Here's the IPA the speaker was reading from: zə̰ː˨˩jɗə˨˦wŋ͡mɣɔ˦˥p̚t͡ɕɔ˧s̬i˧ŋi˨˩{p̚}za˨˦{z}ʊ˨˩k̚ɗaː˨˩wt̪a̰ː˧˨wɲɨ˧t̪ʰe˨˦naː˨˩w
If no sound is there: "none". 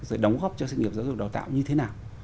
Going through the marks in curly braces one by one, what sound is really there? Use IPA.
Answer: p̚, z

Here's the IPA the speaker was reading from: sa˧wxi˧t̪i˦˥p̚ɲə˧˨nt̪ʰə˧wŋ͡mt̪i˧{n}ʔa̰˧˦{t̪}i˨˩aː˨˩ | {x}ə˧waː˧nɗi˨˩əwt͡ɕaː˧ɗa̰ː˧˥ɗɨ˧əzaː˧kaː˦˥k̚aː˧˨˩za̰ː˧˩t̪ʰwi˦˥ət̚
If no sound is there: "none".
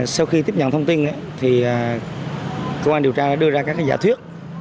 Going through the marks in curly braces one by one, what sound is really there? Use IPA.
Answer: n, t̪ʰ, k

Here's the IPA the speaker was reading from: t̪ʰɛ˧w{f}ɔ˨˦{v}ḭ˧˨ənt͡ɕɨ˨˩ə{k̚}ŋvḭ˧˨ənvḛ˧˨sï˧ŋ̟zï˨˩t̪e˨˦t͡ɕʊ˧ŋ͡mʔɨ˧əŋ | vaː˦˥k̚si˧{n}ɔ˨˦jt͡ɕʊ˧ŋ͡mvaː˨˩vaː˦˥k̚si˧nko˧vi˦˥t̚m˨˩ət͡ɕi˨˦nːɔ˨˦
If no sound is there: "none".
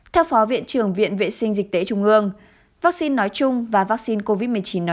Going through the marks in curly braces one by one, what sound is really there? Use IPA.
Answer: f, v, none, nː

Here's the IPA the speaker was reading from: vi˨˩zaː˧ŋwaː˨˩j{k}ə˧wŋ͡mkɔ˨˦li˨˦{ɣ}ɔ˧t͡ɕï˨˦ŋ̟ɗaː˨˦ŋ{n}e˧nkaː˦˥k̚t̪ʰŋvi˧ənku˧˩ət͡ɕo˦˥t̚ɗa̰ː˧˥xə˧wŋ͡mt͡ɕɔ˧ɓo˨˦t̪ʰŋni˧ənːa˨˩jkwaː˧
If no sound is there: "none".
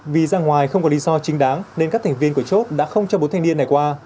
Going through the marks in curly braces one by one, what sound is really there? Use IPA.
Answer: x, z, n

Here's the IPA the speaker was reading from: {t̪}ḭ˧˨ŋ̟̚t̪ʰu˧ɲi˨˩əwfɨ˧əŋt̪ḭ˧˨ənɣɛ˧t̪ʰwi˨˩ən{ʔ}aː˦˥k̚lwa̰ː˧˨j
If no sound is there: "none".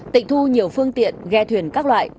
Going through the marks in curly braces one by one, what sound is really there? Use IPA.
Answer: t̪, k

